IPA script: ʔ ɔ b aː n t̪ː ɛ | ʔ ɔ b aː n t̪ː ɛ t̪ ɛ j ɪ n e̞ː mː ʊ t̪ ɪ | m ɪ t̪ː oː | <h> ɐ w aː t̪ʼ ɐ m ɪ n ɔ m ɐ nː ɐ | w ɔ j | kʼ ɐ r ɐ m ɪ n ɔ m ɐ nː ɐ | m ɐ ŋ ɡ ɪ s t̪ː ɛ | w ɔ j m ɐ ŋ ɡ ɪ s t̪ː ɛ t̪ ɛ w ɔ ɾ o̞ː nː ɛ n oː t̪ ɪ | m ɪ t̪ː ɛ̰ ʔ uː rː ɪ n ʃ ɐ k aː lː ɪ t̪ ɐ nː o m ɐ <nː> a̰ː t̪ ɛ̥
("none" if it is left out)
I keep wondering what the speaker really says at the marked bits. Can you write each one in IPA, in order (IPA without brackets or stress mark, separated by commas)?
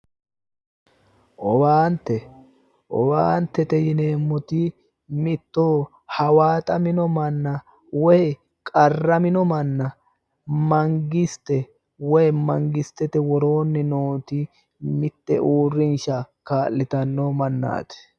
h, nː